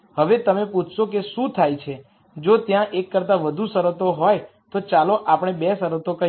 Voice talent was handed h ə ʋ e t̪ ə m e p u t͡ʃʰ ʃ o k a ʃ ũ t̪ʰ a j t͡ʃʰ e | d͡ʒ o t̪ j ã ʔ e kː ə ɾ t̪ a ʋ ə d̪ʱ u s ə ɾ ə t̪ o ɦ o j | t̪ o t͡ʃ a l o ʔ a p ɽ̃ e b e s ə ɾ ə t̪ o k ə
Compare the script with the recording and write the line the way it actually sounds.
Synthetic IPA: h ə ʋ e t̪ ə m e p u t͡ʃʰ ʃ o k e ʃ ũ t̪ʰ a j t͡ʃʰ e | d͡ʒ o t̪ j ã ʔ e kː ə ɾ t̪ a ʋ ə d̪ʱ u s ə ɾ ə t̪ o ɦ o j | t̪ o t͡ʃ a l o ʔ a p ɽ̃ e b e s ə ɾ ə t̪ o k ə